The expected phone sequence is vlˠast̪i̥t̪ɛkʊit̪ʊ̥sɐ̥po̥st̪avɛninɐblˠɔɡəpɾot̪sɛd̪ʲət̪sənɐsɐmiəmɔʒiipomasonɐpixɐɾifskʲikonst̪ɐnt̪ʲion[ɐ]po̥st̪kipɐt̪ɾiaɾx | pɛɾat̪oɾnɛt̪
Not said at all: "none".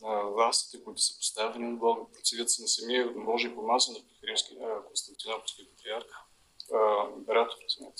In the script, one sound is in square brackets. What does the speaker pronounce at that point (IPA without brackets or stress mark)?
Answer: a